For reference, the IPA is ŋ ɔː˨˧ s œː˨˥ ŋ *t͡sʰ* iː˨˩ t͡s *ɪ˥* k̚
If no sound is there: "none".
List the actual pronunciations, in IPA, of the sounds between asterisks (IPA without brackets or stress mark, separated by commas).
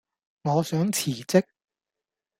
t͡sʰ, ɪ˥